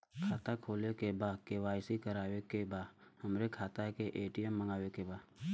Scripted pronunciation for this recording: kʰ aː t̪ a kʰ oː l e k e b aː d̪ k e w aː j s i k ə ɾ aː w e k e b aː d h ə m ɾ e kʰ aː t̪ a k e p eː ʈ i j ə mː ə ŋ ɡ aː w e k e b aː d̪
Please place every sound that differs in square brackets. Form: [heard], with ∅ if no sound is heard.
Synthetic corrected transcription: kʰ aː t̪ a kʰ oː l e k e b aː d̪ k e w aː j s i k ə ɾ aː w e k e b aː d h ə m ɾ e kʰ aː t̪ a k e [ʔ] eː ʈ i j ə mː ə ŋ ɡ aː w e k e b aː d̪